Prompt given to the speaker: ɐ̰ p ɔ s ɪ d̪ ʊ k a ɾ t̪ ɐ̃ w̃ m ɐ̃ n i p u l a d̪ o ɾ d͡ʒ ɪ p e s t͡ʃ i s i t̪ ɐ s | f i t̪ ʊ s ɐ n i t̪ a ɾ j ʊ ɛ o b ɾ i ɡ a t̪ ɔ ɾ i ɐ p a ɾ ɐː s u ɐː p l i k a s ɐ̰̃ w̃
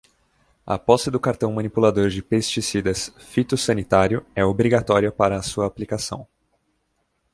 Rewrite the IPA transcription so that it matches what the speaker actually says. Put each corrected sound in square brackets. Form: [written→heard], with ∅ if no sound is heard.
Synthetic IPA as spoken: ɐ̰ p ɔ s ɪ d̪ ʊ k a ɾ t̪ ɐ̃ w̃ m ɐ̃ n i p u l a d̪ o ɾ d͡ʒ ɪ p e s t͡ʃ i s i [t̪→d̪] ɐ s | f i t̪ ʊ s ɐ n i t̪ a ɾ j ʊ ɛ o b ɾ i ɡ a t̪ ɔ ɾ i ɐ p a ɾ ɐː s u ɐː p l i k a s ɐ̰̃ w̃

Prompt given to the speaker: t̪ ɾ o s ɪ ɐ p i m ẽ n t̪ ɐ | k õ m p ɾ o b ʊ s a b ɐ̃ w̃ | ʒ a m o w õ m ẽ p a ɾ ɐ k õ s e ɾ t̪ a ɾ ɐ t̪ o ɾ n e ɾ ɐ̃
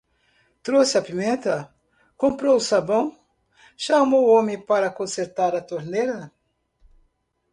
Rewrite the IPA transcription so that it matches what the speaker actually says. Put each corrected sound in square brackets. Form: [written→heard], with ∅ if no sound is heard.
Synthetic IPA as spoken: t̪ ɾ o s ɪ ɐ p i m ẽ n t̪ ɐ | k õ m p ɾ o [b→w] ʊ s a b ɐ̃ w̃ | [ʒ→ʃ] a m o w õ m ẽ p a ɾ ɐ k õ s e ɾ t̪ a ɾ ɐ t̪ o ɾ n e ɾ [ɐ̃→ɐ]

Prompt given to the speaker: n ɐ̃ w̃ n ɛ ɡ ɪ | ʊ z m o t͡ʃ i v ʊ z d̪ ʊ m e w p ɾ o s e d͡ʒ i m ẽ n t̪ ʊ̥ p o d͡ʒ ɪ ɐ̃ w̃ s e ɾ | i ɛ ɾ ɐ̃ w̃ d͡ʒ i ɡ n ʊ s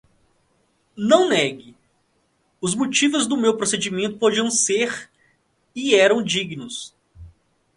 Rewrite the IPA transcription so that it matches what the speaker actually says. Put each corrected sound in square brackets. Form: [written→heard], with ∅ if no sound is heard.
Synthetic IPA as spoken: n ɐ̃ w̃ n ɛ ɡ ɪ | ʊ z m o t͡ʃ i v ʊ z d̪ ʊ m e w p ɾ o s e d͡ʒ i m ẽ n t̪ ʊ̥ p o d͡ʒ [ɪ→i] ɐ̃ w̃ s e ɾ | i ɛ ɾ ɐ̃ w̃ d͡ʒ i ɡ n ʊ s

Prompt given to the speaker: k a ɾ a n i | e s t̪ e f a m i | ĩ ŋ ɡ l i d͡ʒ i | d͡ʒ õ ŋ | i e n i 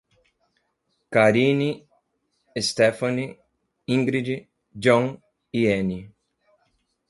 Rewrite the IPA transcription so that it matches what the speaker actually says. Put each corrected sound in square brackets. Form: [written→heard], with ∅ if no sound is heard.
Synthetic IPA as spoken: k a ɾ [a→i] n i | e s t̪ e f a [m→n] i | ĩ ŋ ɡ [l→ɾ] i d͡ʒ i | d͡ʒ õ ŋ | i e n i

